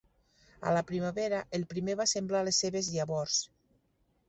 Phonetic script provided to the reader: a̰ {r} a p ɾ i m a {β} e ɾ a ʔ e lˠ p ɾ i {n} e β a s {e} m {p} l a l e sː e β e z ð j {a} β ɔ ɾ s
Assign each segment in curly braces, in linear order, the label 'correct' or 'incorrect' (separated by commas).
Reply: incorrect, correct, incorrect, correct, incorrect, correct